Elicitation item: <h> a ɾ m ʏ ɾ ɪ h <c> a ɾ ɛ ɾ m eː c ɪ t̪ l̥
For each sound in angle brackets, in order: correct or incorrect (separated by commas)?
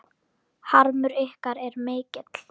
correct, incorrect